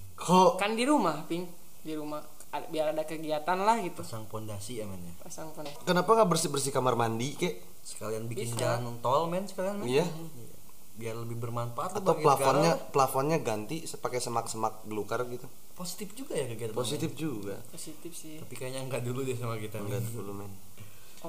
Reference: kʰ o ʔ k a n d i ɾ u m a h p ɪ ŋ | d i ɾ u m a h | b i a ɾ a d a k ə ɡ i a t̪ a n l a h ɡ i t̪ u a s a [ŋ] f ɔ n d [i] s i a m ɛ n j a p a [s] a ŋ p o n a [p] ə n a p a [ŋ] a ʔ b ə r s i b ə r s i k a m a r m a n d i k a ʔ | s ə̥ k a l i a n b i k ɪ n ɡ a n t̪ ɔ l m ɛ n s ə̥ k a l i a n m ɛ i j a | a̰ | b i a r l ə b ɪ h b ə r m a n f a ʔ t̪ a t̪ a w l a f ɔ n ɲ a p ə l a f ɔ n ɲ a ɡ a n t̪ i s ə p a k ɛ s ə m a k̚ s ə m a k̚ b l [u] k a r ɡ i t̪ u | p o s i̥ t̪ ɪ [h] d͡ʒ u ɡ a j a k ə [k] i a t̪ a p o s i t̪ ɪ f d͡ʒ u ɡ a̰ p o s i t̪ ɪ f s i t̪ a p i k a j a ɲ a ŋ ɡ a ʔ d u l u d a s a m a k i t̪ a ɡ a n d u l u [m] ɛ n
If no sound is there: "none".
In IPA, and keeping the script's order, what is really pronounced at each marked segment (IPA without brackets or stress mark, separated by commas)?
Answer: ŋ, a, s, k, ŋ, u, f, ɡ, m